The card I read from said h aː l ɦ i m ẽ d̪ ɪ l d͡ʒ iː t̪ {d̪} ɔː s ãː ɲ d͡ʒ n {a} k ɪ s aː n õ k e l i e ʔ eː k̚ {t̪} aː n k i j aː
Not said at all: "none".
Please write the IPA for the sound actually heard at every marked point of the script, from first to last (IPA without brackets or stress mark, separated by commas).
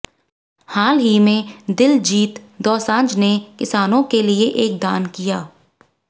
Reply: d̪, e, d̪